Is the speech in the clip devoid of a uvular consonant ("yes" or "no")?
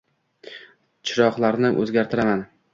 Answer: no